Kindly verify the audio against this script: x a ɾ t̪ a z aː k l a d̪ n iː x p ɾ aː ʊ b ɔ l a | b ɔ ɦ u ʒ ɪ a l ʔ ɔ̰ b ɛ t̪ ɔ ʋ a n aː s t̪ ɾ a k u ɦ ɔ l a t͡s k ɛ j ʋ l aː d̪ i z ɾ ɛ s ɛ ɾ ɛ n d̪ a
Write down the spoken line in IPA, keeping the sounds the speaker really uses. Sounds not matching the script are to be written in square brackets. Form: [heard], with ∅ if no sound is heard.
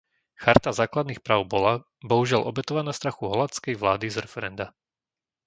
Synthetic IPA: x a ɾ t̪ a z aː k l a d̪ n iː x p ɾ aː ʊ b ɔ l a | b ɔ ɦ u ʒ ɪ a l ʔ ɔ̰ b ɛ t̪ ɔ ʋ a n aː s t̪ ɾ a [x] u ɦ ɔ l a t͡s k ɛ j ʋ l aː d̪ i z ɾ ɛ [f] ɛ ɾ ɛ n d̪ a